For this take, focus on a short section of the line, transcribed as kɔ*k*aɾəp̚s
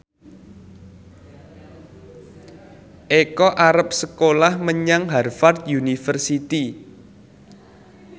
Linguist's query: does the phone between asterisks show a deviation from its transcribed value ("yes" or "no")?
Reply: yes